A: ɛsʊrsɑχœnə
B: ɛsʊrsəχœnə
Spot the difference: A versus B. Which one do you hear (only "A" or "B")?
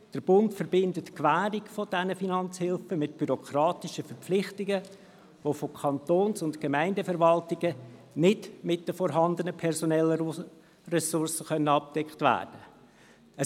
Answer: B